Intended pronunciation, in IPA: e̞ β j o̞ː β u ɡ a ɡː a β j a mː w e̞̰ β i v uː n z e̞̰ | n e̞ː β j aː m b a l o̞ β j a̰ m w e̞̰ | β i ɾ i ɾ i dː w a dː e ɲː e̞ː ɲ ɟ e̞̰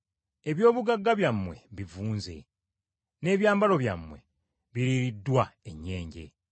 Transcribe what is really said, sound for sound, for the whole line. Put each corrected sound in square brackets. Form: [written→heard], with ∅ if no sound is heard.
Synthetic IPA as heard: e̞ β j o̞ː β u ɡ a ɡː a β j a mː w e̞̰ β i v uː n z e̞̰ | n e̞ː β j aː m b a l o̞ β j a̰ m w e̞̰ | β i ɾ i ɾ i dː w a [dː→∅] e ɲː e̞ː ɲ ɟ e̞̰